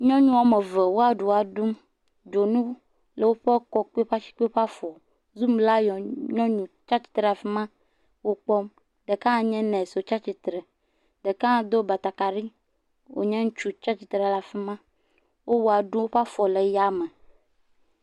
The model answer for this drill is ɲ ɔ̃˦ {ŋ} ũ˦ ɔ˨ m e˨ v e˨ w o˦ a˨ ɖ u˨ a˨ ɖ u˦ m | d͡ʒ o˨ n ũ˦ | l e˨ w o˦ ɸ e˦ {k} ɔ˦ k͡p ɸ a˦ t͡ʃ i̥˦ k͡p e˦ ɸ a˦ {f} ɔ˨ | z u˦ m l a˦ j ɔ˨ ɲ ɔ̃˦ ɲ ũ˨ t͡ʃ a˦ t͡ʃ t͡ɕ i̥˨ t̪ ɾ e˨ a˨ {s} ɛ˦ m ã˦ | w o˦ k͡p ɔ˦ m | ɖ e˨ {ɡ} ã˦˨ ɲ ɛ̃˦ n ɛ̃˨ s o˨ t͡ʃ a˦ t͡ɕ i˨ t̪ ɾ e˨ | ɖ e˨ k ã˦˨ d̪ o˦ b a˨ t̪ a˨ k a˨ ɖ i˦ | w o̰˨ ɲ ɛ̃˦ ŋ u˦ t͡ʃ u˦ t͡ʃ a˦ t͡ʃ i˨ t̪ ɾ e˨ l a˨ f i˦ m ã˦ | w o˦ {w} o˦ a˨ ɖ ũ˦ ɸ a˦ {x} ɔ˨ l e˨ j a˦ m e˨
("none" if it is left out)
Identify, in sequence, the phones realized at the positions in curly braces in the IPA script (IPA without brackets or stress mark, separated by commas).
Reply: ɲ, k, f, f, k, w, f